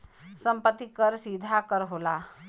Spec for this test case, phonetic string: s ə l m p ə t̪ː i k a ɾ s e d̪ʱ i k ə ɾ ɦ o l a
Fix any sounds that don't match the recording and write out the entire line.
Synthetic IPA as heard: s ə m p ə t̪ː i k ə ɾ s i d̪ʱ a k ə ɾ ɦ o l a